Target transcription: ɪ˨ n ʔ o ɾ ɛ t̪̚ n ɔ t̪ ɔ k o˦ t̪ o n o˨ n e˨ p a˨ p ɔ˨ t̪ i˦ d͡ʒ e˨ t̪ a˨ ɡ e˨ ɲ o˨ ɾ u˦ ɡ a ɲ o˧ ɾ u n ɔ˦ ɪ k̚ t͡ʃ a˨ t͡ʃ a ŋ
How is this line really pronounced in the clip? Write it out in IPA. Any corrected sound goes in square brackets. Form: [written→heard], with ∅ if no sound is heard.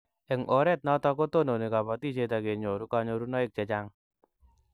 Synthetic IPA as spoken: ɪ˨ [n→ŋ] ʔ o ɾ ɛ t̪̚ n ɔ t̪ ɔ k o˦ t̪ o n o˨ n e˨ [p→k] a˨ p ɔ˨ t̪ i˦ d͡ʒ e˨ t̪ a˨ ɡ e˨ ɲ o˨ ɾ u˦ [ɡ→k] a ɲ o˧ ɾ u n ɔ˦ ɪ k̚ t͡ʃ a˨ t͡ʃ a ŋ